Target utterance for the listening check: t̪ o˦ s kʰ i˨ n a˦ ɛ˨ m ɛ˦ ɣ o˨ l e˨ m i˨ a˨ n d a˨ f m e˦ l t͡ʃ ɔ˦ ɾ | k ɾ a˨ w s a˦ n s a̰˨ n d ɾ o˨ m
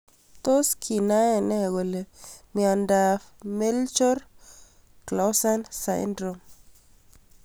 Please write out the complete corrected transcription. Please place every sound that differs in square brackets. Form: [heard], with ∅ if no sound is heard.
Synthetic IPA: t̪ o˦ s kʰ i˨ n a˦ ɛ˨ [n] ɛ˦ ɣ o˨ l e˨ m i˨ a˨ n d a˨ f m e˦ l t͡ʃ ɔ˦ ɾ | k [l] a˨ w s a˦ n s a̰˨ n d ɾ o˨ m